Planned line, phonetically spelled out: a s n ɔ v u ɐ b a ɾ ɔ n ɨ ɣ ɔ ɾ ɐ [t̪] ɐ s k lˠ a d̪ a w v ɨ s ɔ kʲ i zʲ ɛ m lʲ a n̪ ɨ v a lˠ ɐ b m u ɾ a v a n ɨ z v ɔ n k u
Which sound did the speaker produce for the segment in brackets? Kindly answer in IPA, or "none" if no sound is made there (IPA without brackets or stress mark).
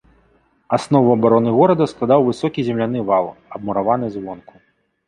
d̪